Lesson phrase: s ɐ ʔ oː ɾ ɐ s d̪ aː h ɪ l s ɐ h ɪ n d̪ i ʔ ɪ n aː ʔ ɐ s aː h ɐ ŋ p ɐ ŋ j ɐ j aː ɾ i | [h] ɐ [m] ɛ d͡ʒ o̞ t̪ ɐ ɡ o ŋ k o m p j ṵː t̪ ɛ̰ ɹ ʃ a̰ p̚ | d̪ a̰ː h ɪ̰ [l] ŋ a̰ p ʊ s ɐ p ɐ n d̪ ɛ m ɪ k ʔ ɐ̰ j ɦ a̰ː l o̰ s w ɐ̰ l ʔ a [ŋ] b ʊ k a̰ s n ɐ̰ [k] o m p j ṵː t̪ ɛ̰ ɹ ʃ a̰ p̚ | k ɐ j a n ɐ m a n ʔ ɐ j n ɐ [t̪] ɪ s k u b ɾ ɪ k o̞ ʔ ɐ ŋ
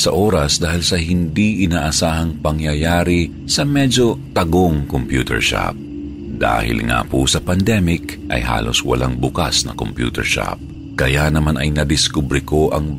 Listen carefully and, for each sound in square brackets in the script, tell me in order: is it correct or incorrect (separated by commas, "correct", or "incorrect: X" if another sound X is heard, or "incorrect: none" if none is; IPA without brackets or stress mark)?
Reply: incorrect: s, correct, correct, correct, correct, incorrect: d̪